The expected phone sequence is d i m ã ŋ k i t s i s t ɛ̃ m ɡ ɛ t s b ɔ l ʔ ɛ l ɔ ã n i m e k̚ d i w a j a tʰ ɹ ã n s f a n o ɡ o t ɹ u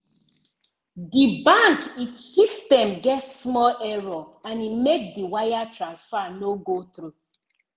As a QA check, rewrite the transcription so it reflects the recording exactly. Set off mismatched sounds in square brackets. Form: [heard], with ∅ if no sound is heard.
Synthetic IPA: d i [b] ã ŋ k i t s i s t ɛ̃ m ɡ ɛ t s [m] ɔ l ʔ ɛ [ɹ] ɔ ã n i m e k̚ d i w a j a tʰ ɹ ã n s f a n o ɡ o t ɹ u